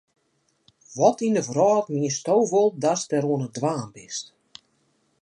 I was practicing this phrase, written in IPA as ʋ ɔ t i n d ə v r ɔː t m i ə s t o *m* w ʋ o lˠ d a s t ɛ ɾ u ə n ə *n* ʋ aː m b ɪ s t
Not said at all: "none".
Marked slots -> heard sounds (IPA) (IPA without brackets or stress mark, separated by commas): none, d